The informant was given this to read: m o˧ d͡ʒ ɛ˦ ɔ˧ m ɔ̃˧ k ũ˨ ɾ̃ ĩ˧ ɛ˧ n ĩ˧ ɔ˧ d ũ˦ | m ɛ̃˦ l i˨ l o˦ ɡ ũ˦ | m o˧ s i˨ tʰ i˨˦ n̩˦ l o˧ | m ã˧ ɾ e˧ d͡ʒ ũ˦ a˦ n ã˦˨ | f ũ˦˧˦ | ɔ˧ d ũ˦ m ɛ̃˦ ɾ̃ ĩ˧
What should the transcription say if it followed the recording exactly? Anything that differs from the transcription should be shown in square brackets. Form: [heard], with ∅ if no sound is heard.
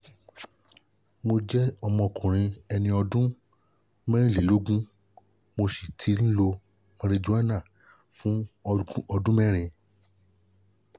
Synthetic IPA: m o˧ d͡ʒ ɛ˦ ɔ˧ m ɔ̃˧ k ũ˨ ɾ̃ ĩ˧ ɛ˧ n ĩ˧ ɔ˧ d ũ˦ | m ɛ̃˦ l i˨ l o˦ ɡ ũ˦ | m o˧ s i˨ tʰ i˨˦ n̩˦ l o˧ | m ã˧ ɾ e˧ d͡ʒ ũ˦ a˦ n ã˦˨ | f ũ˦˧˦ | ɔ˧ d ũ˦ m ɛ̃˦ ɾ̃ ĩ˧